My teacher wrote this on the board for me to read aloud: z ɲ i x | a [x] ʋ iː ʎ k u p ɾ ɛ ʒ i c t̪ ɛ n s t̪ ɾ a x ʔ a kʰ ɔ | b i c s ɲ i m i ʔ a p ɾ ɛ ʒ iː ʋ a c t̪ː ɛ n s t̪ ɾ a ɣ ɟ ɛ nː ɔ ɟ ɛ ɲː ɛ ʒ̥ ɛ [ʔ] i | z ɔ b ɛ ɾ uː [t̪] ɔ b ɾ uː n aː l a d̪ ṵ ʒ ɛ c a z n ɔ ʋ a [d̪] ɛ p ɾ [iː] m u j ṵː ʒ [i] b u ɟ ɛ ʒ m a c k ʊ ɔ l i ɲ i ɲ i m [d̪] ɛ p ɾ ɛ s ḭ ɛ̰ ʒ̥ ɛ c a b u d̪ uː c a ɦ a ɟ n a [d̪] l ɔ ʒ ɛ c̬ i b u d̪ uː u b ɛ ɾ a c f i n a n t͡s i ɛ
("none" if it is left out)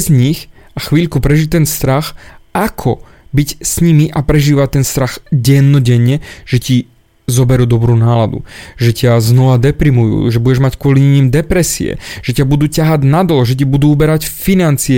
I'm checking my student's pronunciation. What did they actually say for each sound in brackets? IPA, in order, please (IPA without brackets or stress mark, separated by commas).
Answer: x, c, d̪, d̪, i, ɛ, d̪, d̪